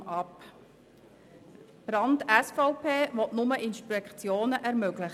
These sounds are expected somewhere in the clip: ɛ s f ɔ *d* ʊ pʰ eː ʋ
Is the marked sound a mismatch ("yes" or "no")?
yes